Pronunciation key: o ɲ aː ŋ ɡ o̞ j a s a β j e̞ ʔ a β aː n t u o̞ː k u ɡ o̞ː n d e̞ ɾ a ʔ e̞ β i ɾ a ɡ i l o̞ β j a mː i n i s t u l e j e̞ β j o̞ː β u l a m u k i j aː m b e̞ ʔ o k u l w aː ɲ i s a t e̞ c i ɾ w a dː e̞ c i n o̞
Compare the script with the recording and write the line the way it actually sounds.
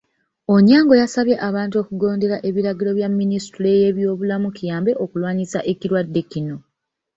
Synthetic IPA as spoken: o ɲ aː ŋ ɡ o̞ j a s a β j e̞ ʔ a β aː n t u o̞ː k u ɡ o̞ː n d e̞ ɾ a ʔ e̞ β i ɾ a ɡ i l o̞ β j a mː i n i s t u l e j e̞ β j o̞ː β u l a m u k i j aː m b e̞ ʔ o k u l w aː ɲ i s a ʔ e̞ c i ɾ w a dː e̞ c i n o̞

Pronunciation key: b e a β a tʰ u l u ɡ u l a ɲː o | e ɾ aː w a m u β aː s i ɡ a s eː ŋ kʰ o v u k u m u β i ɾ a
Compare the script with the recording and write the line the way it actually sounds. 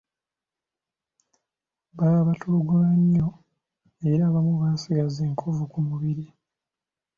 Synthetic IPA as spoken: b a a β a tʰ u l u ɡ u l a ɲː o | e ɾ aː β a m u β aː s i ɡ a z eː ŋ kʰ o v u k u m u β i ɾ i

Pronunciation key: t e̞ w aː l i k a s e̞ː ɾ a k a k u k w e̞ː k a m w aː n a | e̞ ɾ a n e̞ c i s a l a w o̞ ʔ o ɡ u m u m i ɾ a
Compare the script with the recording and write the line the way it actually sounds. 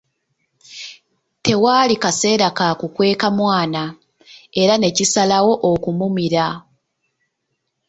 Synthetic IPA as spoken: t e̞ w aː l i k a s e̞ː ɾ a k a k u k w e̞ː k a m w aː n a | e̞ ɾ a n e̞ c i s a l a w o̞ ʔ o k u m u m i ɾ a

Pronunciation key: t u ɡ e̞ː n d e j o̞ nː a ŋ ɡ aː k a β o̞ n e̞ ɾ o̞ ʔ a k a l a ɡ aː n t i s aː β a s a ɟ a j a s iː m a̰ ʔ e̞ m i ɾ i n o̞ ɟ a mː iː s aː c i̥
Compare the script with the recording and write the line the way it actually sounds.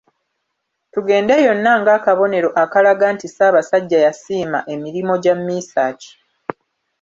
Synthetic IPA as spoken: t u ɡ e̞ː n d e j o̞ nː a ŋ ɡ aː k a β o̞ n e̞ ɾ o̞ ʔ a k a l a ɡ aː n t i s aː β a s a ɟː a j a s iː m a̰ ʔ e̞ m i ɾ i m o̞ ɟ a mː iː s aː c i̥

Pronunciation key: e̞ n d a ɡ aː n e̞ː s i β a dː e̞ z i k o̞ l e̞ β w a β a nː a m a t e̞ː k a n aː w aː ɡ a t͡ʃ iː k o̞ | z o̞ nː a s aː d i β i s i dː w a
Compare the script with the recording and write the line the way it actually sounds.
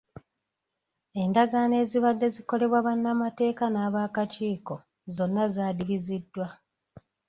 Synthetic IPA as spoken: e̞ n d a ɡ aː n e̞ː z i β a dː e̞ z i k o̞ l e̞ β w a β a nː a m a t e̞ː k a n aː β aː k a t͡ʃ iː k o̞ | z o̞ nː a z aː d i β i z i dː w a

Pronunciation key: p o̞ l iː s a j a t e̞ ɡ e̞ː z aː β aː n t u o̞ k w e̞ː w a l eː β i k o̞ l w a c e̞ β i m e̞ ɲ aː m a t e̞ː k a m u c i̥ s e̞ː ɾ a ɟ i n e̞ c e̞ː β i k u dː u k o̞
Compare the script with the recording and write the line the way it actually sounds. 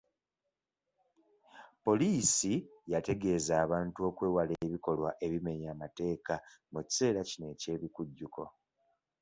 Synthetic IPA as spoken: p o̞ l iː s i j a t e̞ ɡ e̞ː z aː β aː n t u o̞ k w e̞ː w a l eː β i k o̞ l w a ʔ e̞ β i m e̞ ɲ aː m a t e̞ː k a m u c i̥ s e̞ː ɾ a c i n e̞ c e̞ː β i k u ɟː u k o̞

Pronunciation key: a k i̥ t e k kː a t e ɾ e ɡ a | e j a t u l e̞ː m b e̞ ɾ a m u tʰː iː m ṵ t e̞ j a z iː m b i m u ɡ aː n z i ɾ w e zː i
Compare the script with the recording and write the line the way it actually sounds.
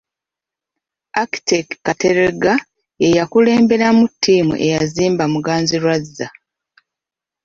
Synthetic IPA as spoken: a k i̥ t e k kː a t e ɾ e ɡ a | e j a k u l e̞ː m b e̞ ɾ a m u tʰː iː m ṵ ʔ e̞ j a z iː m b a m u ɡ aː n z i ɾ w a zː a

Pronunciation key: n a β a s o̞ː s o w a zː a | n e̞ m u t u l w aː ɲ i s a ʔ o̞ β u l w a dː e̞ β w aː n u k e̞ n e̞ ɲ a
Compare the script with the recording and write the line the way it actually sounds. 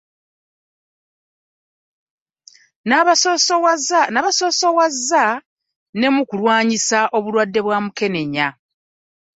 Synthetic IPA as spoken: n a β a s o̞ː s o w a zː a | n e̞ m u k u l w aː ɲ i s a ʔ o̞ β u l w a dː e̞ β w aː m u k e̞ n e̞ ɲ a

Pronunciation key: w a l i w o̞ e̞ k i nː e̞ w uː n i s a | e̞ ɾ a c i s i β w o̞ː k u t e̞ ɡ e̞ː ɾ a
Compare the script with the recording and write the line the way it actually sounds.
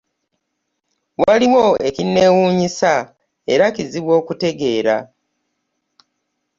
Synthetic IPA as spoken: w a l i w o̞ e̞ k i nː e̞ w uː ɲ i s a | e̞ ɾ a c i z i β w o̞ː k u t e̞ ɡ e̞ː ɾ a

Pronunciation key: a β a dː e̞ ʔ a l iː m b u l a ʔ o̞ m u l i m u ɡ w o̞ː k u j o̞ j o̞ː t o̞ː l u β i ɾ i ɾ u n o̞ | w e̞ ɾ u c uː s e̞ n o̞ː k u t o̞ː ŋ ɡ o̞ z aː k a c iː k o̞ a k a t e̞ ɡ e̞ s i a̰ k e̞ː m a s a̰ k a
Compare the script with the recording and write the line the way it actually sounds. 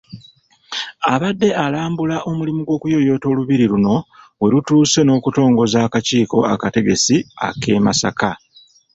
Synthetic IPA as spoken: a β a dː e̞ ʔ a l aː m b u l a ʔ o̞ m u l i m u ɡ w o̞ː k u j o̞ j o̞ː t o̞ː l u β i ɾ i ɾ u n o̞ | w e̞ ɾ u t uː s e̞ n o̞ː k u t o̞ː ŋ ɡ o̞ z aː k a c iː k o̞ a k a t e̞ ɡ e̞ s i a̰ k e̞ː m a s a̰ k a

